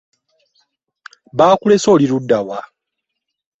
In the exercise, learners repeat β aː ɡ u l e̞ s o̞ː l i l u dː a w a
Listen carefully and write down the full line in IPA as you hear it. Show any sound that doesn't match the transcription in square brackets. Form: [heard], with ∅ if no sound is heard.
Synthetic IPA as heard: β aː [k] u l e̞ s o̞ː l i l u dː a w a